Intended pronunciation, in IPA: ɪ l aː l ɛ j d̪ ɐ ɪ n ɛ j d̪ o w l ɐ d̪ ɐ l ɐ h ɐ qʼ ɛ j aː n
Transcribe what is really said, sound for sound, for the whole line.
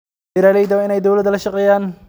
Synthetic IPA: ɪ ɾ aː l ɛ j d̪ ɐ ɪ n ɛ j d̪ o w l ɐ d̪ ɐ l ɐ ʃ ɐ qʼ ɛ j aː n